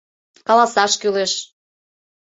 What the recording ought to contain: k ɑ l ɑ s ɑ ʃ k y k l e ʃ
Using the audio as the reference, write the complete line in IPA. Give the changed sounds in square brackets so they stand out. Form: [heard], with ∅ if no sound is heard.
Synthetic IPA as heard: k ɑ l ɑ s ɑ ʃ k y [∅] l e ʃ